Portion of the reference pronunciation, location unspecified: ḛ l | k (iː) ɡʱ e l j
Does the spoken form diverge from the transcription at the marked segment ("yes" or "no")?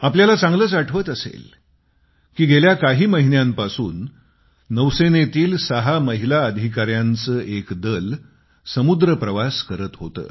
no